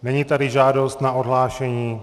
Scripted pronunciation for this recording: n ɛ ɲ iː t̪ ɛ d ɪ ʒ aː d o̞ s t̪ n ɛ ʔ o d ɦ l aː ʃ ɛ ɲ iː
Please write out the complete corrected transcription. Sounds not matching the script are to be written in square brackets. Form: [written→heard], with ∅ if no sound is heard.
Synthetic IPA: n ɛ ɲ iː t̪ [ɛ→a] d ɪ ʒ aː d o̞ s t̪ n [ɛ→a] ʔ o d ɦ l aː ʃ ɛ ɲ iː